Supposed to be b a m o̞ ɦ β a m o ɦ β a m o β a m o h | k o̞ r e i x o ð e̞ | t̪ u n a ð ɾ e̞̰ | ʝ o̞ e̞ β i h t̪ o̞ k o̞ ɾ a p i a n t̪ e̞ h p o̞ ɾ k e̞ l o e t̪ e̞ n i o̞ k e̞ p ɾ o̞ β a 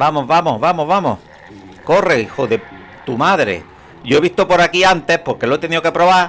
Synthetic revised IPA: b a m o̞ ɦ β a m o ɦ β a m o β a m o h | k o̞ r e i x o ð e̞ | t̪ u m a ð ɾ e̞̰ | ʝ o̞ e̞ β i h t̪ o̞ p o̞ ɾ a k i a n t̪ e̞ h p o̞ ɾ k e̞ l o e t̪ e̞ n i o̞ k e̞ p ɾ o̞ β a